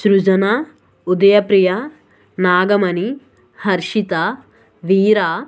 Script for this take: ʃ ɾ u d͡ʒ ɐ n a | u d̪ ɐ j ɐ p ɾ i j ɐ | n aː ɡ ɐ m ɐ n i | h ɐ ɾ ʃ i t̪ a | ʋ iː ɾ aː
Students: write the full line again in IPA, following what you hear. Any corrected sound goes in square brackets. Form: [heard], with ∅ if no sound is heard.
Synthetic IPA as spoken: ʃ ɾ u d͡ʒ ɐ n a | u d̪ ɐ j ɐ p ɾ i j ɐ | n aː ɡ ɐ m ɐ n i | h ɐ ɾ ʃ i t̪ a | ʋ iː ɾ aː